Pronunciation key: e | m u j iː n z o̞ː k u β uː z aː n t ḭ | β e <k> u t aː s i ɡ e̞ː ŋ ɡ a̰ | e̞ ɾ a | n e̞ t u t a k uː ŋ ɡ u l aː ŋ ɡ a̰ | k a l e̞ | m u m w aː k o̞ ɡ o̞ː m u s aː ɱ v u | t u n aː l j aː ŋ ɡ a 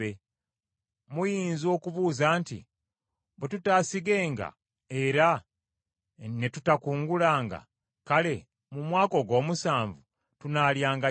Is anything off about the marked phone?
yes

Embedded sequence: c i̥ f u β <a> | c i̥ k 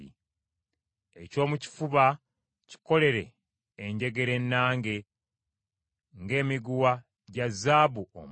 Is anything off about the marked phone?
no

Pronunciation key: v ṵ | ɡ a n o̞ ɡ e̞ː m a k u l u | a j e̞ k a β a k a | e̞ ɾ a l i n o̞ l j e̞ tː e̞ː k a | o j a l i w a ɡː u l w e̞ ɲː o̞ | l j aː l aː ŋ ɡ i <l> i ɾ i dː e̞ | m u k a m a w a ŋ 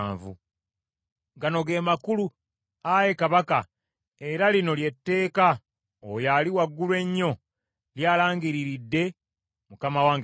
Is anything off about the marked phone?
yes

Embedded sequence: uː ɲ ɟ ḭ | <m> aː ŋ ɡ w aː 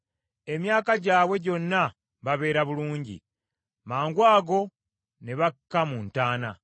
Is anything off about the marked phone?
no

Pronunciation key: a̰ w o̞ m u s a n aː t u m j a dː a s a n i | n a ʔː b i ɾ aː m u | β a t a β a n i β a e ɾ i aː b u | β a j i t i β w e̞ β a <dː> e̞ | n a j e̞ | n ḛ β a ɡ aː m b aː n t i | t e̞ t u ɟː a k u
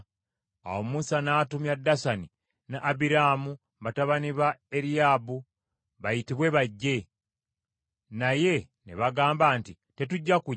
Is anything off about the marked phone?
yes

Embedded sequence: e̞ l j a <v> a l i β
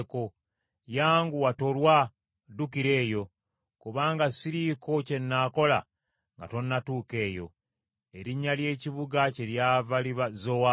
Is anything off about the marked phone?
no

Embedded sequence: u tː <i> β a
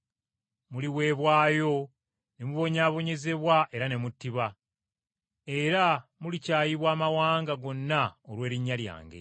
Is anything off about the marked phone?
no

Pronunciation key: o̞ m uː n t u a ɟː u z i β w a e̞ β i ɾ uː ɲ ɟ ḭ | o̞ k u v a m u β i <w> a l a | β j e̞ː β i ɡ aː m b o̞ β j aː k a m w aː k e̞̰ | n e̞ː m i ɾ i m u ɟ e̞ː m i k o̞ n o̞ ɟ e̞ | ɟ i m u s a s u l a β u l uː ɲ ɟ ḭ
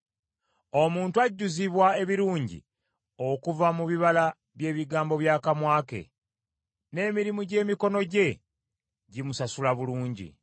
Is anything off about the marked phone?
yes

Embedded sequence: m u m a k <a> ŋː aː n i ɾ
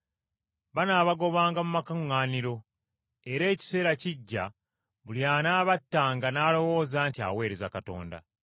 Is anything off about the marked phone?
no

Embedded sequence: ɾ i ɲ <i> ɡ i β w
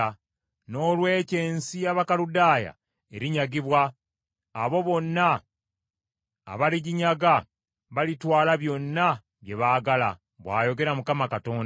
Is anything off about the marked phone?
yes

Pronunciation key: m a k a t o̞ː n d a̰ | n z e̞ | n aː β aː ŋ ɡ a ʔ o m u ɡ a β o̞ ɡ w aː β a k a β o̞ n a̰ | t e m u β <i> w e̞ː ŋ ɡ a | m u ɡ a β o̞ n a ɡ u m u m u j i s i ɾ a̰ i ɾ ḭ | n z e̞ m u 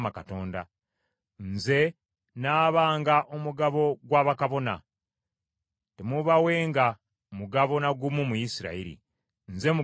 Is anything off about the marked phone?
yes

